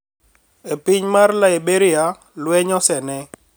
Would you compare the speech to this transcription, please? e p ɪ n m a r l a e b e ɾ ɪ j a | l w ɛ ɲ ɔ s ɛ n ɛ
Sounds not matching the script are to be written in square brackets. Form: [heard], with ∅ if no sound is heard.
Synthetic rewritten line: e p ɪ [ɲ] m a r l a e b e ɾ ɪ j a | l w ɛ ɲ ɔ s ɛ n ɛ